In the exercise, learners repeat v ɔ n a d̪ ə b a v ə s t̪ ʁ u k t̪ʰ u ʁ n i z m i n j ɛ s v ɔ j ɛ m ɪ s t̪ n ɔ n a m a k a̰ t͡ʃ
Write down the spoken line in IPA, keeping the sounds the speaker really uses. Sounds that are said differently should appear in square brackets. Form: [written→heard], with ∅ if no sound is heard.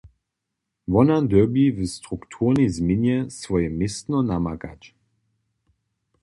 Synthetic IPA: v ɔ n a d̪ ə b [a→i] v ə s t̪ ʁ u k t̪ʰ u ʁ n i z m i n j ɛ s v ɔ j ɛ m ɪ s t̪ n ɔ n a m a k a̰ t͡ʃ